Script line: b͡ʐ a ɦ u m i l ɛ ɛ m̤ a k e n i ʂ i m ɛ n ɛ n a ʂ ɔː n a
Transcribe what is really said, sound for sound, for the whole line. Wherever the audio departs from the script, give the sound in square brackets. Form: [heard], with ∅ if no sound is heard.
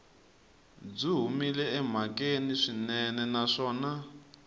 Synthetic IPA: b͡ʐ [i] ɦ u m i l ɛ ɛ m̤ a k e n i ʂ i [n] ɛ n ɛ n a ʂ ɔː n a